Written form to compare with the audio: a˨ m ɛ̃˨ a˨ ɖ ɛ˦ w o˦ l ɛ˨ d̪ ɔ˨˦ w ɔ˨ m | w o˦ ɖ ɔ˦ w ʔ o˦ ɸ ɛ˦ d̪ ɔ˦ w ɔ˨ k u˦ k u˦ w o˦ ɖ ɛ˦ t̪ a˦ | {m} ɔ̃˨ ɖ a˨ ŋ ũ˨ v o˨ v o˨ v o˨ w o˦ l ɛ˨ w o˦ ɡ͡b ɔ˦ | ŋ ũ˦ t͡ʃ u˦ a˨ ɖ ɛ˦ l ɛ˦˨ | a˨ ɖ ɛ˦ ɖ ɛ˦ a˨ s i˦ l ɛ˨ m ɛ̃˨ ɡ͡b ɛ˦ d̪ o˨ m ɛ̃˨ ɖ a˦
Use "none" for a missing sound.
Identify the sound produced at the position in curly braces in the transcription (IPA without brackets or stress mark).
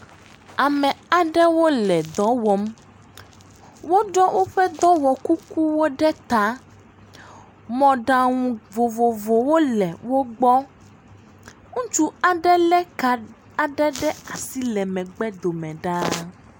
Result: m